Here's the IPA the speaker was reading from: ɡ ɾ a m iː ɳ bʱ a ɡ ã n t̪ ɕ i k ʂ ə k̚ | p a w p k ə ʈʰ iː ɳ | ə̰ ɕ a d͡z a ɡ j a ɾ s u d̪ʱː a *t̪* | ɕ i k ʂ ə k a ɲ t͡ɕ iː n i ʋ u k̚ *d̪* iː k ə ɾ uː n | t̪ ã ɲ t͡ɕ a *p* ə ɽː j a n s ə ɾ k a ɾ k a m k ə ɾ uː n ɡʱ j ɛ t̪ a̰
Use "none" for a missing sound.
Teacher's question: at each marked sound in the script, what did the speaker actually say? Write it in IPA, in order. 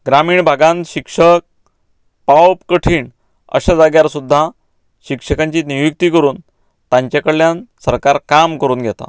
none, t̪, k

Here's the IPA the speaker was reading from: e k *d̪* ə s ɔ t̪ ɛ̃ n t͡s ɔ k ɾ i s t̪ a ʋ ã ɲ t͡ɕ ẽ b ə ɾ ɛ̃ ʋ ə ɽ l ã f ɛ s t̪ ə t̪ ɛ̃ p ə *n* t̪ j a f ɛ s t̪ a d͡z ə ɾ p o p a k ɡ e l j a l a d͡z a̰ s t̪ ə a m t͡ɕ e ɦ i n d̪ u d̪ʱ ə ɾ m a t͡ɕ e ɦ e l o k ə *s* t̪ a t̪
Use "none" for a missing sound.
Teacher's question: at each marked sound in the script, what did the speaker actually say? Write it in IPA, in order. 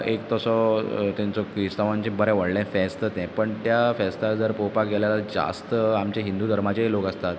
t̪, ɳ, s

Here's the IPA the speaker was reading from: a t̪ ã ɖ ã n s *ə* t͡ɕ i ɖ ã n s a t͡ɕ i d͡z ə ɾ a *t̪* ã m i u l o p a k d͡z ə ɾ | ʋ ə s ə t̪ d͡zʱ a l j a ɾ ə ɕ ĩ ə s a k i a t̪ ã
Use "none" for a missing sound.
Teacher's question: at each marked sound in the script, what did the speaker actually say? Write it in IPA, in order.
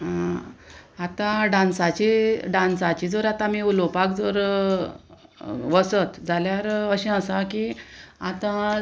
a, t̪

